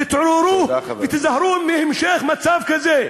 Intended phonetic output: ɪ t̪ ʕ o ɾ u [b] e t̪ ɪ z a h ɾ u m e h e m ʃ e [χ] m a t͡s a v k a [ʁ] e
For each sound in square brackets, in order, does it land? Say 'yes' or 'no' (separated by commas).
no, yes, no